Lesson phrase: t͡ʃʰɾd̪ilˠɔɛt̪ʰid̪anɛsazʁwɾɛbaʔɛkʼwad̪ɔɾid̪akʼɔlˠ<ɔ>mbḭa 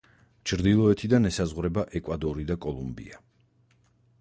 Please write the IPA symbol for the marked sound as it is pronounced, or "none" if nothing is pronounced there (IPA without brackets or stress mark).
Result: u